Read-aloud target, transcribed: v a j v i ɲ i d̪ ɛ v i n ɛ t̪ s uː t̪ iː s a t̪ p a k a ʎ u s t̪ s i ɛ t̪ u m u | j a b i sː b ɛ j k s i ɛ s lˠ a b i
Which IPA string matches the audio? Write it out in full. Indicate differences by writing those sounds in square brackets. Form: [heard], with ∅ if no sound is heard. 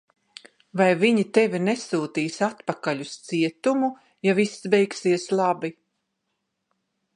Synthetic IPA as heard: v a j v i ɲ i [t̪] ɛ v i n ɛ [∅] s uː t̪ iː s a t̪ p a k a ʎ u s t̪ s i ɛ t̪ u m u | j a [v] i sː b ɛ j k s i ɛ s lˠ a b i